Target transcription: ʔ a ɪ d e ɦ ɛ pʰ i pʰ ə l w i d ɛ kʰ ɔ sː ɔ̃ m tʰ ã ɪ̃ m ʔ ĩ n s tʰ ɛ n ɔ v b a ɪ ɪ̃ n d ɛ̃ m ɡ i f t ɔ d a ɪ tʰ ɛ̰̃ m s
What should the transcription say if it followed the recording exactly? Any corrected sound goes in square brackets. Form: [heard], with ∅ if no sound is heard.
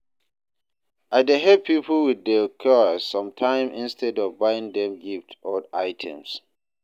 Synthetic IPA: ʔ a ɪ d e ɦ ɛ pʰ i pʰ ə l w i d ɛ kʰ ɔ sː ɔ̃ m tʰ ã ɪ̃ m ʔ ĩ n s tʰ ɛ [d] ɔ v b a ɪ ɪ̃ [ŋ] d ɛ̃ m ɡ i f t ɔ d a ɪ tʰ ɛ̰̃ m s